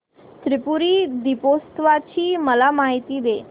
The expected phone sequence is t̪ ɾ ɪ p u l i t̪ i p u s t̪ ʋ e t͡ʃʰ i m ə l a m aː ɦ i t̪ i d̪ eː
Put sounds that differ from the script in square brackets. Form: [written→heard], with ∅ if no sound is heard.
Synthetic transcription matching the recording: t̪ ɾ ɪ p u [l→ɾ] i [t̪→d̪] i p [u→o] s t̪ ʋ [e→a] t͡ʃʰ i m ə l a m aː ɦ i t̪ i d̪ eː